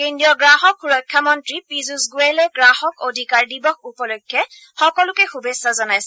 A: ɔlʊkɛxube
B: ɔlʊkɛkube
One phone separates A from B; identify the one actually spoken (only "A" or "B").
A